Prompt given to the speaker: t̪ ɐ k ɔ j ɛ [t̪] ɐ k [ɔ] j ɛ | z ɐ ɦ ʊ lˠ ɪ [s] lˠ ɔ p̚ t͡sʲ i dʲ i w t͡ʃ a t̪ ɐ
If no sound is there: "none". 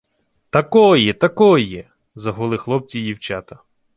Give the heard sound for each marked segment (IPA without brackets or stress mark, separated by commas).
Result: t̪, ɔ, x